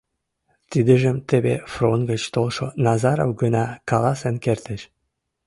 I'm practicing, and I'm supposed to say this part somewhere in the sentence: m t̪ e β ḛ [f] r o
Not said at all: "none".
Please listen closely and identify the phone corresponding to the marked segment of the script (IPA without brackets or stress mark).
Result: f